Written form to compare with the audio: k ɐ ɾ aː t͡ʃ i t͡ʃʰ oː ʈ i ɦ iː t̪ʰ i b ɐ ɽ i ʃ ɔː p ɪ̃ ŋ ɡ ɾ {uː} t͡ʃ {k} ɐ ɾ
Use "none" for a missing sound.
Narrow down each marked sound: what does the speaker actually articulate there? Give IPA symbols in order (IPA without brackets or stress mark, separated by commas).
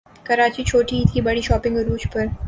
uː, p